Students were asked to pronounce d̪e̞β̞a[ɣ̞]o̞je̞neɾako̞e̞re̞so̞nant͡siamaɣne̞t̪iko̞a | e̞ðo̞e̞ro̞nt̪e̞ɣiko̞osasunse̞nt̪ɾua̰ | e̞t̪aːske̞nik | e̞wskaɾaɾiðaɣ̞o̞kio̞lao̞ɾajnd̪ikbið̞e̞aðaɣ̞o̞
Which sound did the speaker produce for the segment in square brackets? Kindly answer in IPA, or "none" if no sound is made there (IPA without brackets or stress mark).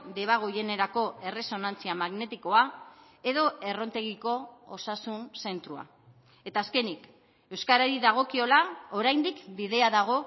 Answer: ɣ̞